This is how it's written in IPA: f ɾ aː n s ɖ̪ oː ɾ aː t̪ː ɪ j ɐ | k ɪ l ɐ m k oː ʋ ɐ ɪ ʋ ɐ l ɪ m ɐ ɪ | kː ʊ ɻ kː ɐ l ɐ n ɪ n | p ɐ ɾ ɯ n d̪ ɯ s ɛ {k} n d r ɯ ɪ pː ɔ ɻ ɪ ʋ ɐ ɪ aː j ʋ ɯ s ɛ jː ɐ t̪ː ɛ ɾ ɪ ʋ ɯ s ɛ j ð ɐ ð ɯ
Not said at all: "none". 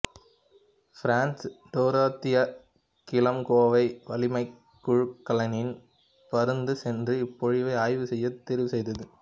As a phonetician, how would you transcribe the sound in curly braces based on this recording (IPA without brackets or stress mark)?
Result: none